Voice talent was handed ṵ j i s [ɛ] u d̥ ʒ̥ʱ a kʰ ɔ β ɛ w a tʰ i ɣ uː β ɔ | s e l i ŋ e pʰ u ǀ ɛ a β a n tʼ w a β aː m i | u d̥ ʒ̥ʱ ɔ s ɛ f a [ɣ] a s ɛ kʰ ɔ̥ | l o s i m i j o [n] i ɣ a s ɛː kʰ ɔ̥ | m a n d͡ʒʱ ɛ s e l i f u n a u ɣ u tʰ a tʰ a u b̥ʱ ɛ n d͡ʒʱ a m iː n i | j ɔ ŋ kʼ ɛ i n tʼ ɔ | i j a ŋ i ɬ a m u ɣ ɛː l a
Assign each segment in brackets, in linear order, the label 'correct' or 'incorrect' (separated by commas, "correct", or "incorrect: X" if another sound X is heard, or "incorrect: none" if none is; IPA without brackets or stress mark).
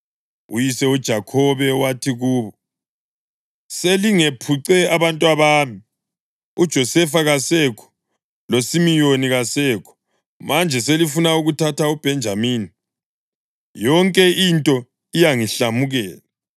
correct, correct, correct